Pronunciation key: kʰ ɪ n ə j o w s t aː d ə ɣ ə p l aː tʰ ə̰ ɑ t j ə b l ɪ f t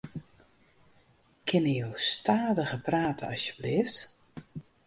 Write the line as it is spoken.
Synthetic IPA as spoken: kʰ ɪ n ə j o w s t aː d ə ɣ ə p r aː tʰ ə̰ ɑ s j ə b l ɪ f t